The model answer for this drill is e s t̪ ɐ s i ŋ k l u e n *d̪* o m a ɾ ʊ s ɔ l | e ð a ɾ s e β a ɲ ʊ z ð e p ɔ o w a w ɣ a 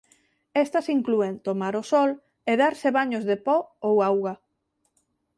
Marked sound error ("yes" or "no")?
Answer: yes